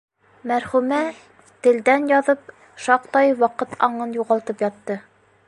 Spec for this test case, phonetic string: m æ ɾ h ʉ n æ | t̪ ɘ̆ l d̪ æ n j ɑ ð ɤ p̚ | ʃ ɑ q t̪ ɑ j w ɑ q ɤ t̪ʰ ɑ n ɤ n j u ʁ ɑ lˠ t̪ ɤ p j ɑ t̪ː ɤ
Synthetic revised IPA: m æ ɾ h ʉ m æ | t̪ ɘ̆ l d̪ æ n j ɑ ð ɤ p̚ | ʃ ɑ q t̪ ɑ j w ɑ q ɤ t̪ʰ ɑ ɴ ɤ n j u ʁ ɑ lˠ t̪ ɤ p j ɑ t̪ː ɤ